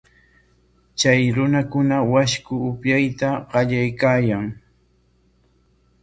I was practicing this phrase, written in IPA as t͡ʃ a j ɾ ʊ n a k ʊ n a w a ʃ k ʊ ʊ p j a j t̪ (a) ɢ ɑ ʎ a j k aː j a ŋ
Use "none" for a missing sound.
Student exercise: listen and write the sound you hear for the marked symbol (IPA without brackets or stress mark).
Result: a